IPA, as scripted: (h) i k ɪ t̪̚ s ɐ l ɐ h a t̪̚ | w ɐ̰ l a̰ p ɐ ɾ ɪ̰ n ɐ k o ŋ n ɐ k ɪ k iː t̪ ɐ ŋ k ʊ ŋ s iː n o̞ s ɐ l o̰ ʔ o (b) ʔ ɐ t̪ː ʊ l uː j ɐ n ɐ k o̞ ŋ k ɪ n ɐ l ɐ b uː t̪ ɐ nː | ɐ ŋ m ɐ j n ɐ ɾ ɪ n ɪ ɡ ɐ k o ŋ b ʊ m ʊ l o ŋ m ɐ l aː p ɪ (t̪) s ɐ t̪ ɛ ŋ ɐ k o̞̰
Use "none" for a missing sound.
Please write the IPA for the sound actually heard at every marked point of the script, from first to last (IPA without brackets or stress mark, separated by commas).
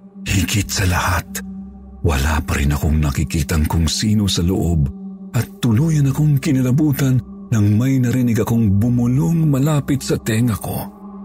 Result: h, b, t̪